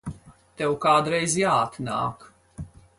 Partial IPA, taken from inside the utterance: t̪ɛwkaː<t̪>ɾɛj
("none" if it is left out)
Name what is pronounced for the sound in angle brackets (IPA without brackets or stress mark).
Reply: d̪